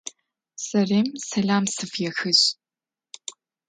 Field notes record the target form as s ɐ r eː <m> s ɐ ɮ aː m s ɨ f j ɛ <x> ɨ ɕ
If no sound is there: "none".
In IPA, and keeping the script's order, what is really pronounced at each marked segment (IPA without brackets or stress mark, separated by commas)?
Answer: m, x